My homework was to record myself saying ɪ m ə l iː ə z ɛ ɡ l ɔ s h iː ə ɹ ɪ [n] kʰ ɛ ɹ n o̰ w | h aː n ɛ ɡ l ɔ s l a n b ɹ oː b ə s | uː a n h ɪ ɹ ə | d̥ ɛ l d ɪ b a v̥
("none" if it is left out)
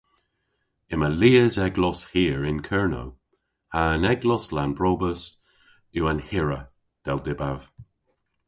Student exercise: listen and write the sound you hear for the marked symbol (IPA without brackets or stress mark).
n